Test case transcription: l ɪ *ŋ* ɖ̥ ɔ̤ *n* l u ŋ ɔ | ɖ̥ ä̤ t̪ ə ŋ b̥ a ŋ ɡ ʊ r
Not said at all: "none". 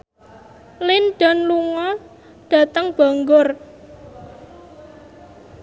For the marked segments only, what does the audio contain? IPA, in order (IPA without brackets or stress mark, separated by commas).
n, n